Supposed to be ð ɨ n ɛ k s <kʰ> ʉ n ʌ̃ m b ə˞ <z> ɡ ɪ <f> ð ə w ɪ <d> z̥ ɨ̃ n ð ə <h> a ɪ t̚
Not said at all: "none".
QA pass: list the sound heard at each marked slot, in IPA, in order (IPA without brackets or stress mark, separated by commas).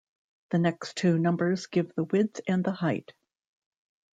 tʰ, z, v, d, h